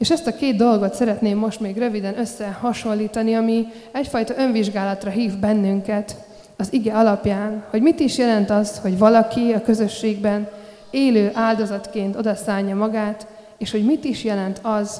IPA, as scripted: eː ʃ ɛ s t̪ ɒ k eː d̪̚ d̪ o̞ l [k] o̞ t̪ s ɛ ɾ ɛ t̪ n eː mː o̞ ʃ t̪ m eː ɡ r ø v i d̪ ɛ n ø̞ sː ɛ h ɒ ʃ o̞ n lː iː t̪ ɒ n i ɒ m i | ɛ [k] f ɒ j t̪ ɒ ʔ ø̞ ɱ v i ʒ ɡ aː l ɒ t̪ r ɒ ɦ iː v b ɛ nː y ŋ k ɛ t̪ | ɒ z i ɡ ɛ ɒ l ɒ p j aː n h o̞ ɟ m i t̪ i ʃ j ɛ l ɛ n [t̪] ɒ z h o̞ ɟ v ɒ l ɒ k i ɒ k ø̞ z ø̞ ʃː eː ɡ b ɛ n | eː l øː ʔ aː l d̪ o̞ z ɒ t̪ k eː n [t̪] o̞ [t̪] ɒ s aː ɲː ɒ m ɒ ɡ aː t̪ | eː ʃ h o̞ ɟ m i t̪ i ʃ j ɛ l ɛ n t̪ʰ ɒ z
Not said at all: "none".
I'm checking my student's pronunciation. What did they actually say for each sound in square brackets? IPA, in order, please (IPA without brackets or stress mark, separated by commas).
ɡ, c, t̪, t̪, d̪